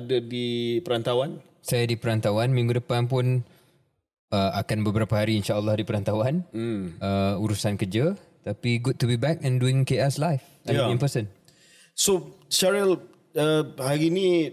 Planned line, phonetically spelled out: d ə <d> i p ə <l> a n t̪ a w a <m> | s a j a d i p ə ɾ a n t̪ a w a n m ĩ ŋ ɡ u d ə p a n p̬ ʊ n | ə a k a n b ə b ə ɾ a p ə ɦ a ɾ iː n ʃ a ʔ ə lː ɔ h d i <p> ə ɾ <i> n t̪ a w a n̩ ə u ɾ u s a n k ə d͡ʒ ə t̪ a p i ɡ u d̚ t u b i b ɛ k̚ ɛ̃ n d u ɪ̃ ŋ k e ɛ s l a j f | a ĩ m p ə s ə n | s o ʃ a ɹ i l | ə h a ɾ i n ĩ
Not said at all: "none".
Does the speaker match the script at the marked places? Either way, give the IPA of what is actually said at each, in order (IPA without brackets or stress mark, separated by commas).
d, ɾ, n, p, a